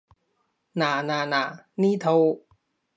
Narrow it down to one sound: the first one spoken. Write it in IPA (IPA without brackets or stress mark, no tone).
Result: n